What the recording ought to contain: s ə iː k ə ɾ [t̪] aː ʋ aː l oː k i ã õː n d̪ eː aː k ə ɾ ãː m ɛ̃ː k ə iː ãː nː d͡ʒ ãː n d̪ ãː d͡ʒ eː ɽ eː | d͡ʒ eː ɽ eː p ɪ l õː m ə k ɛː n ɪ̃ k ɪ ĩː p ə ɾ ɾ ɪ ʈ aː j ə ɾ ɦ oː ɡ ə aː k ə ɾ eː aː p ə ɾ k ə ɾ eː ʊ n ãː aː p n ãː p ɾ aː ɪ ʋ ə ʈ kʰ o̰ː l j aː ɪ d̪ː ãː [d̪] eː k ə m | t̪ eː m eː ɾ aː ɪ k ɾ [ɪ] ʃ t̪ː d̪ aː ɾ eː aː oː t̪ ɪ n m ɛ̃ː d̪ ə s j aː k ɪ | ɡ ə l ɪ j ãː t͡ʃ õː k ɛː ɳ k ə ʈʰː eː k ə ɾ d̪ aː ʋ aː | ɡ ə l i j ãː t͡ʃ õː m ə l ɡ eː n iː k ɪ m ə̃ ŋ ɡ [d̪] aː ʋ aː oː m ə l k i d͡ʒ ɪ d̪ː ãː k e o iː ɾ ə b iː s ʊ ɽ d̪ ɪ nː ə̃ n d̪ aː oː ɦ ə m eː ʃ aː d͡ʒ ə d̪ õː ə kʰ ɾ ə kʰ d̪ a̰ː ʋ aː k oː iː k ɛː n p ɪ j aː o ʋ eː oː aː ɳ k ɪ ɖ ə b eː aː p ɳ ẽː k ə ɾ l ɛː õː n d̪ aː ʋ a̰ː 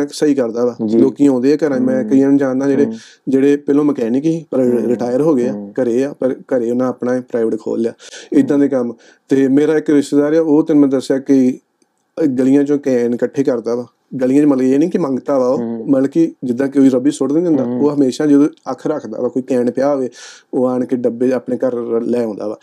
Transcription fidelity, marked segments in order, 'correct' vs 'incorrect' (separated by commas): incorrect, correct, correct, incorrect